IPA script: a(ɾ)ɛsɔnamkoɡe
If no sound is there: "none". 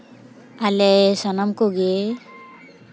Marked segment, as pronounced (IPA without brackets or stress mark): l